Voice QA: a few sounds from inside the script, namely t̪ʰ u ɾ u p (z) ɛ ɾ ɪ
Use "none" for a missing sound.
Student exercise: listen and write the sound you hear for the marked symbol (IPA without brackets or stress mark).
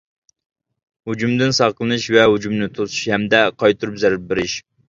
z